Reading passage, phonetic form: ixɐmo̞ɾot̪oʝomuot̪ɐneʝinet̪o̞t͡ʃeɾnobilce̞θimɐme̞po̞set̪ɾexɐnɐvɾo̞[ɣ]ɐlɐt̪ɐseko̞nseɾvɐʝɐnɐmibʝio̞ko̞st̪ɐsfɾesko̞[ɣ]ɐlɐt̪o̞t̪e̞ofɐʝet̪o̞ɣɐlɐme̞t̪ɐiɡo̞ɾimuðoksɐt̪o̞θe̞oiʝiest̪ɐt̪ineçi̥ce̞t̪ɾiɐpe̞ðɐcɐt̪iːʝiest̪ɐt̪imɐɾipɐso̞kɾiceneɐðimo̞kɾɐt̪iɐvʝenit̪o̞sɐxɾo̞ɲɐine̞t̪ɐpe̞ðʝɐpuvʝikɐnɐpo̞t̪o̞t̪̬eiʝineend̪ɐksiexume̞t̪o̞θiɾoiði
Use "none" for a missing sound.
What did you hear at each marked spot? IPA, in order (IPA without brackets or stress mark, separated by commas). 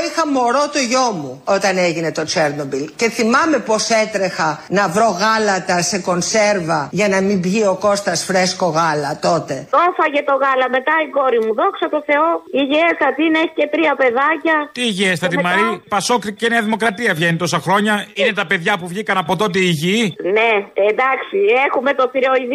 ɣ, ɣ